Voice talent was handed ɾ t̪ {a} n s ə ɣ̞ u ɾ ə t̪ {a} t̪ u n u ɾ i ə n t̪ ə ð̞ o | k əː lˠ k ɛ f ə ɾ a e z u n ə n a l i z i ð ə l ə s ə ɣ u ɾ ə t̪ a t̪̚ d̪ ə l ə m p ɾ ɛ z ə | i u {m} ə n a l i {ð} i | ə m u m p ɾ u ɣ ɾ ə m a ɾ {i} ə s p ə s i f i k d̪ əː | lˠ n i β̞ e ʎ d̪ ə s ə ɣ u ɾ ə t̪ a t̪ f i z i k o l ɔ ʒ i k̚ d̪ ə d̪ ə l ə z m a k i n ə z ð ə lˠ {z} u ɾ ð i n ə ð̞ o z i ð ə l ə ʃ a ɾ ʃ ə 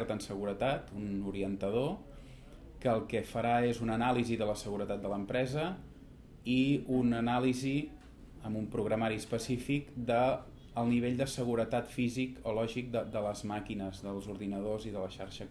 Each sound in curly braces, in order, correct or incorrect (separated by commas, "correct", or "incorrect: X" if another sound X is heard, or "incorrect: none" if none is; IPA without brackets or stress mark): incorrect: ə, correct, incorrect: n, incorrect: z, correct, correct